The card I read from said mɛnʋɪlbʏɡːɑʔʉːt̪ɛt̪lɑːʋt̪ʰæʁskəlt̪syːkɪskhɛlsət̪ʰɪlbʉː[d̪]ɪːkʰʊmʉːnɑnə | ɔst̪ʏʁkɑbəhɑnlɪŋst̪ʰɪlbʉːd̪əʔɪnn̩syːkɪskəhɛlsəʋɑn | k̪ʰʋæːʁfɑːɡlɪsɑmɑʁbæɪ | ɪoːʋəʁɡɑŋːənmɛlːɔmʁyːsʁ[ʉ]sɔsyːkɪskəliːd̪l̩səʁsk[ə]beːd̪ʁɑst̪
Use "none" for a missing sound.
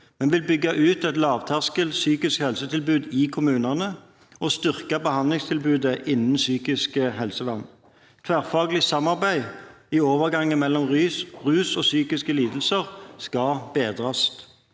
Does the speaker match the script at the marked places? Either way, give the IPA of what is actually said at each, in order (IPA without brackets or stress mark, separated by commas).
d̪, ʉː, ɑ